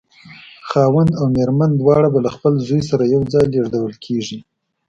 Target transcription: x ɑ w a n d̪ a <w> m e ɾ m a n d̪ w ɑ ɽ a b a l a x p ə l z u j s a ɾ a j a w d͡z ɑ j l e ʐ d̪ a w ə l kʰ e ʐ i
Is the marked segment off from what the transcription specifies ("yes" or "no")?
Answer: no